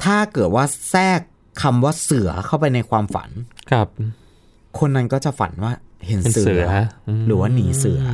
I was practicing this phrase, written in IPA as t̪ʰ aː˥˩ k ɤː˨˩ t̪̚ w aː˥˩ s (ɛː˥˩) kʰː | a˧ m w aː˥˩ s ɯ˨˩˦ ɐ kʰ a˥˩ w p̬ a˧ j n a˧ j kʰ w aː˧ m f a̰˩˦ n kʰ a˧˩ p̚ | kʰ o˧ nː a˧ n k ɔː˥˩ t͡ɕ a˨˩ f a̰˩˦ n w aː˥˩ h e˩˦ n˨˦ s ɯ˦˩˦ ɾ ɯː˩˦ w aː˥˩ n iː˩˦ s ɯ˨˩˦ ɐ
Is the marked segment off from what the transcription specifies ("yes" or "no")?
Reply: no